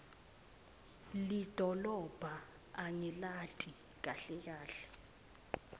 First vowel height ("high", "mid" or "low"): high